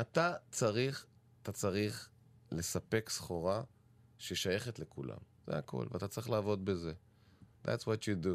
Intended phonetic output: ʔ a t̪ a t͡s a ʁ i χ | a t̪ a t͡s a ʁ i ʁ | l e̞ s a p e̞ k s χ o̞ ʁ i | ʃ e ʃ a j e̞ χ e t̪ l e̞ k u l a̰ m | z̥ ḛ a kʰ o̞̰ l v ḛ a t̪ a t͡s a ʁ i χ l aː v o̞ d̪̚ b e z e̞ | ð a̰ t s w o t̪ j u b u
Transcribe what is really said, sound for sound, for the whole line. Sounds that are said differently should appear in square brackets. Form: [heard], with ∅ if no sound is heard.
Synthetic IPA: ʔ a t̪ a t͡s a ʁ i χ | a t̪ a t͡s a ʁ i [χ] | l e̞ s a p e̞ k s χ o̞ ʁ [a] | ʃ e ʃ a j e̞ χ e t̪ l e̞ k u l a̰ m | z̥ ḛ a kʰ o̞̰ l v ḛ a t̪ a t͡s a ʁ i χ l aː v o̞ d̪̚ b e z e̞ | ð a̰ t s w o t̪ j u [d] u